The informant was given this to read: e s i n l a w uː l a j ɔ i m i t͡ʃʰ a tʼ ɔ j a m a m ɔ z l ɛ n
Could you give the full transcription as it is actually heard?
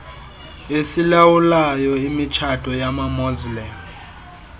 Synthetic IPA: e s i l a w u l a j ɔ i m i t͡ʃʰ a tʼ ɔ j a m a m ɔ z l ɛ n